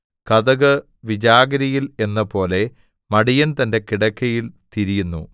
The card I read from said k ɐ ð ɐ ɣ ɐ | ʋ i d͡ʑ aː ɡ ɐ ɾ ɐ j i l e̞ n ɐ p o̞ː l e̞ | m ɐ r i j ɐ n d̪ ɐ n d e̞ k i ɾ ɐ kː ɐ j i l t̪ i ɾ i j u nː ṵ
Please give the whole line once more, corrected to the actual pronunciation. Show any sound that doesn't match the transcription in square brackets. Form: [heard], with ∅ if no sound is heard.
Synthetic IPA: k ɐ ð ɐ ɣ ɐ | ʋ i d͡ʑ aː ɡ ɐ ɾ ɐ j i l e̞ [nː] ɐ p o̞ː l e̞ | m ɐ [ɽ] i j ɐ n [t̪] ɐ n d e̞ k i [ɽ] ɐ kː ɐ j i l t̪ i ɾ i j u nː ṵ